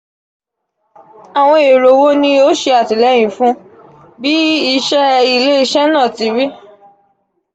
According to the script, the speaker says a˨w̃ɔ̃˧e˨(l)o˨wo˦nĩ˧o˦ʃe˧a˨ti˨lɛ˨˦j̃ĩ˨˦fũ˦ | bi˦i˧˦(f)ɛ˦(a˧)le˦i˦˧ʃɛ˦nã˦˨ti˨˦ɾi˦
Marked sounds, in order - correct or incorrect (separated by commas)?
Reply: incorrect, incorrect, incorrect